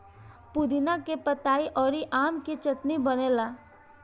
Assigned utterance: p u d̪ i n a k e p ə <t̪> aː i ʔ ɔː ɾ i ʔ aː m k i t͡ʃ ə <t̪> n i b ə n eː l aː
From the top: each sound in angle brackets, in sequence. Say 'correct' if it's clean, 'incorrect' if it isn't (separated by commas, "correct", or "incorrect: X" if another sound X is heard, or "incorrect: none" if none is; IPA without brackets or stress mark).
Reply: correct, correct